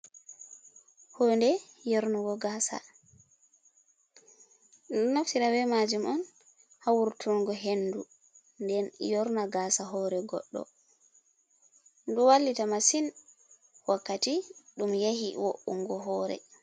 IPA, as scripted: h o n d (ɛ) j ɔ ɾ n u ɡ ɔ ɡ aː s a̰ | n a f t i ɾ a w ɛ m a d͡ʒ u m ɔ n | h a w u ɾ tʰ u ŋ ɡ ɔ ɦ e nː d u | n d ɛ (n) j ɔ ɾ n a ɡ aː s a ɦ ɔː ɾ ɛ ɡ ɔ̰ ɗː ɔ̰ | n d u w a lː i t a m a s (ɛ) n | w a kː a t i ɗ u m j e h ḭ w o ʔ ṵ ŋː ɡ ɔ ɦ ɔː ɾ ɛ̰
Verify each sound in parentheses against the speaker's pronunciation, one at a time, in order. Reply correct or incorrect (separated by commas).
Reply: correct, correct, incorrect